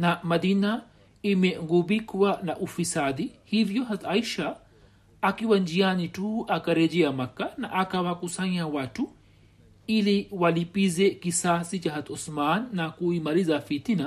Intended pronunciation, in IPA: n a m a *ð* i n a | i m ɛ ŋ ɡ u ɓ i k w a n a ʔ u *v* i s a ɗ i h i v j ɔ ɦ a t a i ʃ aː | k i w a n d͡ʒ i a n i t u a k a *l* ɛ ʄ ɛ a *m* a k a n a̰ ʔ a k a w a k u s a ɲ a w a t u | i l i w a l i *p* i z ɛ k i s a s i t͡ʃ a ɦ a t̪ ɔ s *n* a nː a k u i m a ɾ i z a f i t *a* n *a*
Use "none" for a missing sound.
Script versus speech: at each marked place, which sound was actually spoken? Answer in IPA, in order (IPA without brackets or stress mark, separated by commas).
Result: ð, f, ɾ, m, p, m, i, a